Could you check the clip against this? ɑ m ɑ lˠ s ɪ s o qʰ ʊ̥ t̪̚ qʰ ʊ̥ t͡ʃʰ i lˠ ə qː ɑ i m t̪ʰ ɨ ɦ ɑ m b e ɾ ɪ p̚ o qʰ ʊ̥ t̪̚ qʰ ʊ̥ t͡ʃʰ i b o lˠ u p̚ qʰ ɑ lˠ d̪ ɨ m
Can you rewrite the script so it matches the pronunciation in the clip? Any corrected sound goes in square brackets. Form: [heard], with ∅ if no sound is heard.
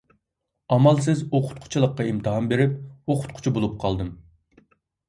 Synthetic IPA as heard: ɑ m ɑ lˠ s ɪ [z] o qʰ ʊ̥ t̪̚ qʰ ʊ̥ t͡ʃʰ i lˠ ə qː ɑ i m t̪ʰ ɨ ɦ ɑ m b e ɾ ɪ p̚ o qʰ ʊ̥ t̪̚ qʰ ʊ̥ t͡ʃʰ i b o lˠ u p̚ qʰ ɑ lˠ d̪ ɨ m